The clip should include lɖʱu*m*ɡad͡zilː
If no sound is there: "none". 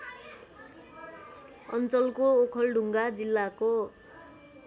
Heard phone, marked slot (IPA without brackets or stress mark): ŋ